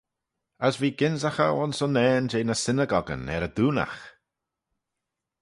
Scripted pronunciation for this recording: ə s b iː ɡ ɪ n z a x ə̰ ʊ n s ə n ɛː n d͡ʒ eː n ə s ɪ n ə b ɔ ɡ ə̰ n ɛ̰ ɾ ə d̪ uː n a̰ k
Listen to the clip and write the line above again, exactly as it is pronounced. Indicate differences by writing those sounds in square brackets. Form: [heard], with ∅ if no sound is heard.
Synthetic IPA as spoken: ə s [v] iː ɡ ɪ n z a x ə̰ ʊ n s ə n ɛː n d͡ʒ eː n ə s ɪ n ə [ɡ] ɔ ɡ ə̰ n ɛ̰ ɾ ə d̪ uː n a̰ [x]